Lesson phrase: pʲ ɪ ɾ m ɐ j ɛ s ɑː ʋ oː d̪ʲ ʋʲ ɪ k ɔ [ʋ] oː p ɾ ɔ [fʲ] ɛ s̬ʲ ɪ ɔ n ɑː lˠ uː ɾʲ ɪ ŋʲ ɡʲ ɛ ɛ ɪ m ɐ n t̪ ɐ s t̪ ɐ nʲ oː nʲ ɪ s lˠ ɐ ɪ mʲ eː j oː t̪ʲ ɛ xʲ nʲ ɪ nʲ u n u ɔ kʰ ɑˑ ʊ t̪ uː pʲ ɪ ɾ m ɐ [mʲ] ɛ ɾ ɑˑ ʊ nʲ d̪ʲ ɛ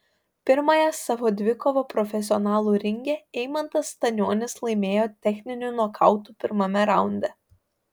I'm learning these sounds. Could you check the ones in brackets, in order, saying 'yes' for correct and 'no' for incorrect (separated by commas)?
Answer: yes, yes, yes